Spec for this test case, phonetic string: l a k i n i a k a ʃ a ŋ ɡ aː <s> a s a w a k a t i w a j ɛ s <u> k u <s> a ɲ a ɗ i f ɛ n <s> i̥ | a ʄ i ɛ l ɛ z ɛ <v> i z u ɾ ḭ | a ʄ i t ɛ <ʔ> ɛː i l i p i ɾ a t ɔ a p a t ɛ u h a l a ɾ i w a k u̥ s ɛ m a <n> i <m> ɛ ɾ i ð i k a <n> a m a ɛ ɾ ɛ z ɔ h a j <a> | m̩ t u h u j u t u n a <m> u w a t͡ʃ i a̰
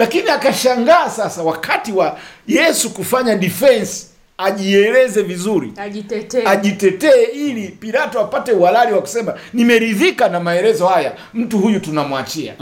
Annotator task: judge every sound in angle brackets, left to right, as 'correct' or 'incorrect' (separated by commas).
correct, correct, incorrect, correct, correct, incorrect, correct, correct, correct, correct, correct